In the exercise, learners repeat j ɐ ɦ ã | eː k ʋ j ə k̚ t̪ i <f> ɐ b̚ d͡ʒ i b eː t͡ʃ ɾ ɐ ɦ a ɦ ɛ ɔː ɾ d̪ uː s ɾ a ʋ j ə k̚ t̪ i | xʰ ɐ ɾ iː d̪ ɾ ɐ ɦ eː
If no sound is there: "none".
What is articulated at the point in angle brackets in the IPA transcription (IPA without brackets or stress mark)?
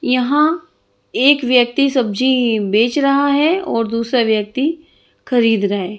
s